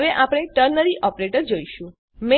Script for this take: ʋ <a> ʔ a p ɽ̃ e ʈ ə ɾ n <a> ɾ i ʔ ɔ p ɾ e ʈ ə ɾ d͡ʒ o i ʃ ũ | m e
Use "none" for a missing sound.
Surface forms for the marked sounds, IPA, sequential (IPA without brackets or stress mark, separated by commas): e, ə